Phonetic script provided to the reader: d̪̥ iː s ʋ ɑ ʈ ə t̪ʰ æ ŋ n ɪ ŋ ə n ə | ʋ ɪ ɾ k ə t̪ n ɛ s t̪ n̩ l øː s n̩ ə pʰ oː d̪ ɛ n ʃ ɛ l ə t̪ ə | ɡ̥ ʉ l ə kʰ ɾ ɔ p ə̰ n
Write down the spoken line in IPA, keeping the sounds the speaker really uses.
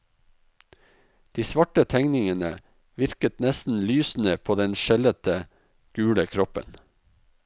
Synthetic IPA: d̪̥ iː s ʋ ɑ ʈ ə t̪ʰ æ ŋ n ɪ ŋ ə n ə | ʋ ɪ ɾ k ə t̪ n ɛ s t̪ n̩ l yː s n̩ ə pʰ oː d̪ ɛ n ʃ ɛ l ə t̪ ə | ɡ̥ ʉː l ə kʰ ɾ ɔ p ə̰ n